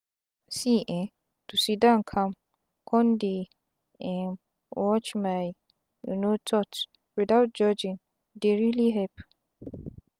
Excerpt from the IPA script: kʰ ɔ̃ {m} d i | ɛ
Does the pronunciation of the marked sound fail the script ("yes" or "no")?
yes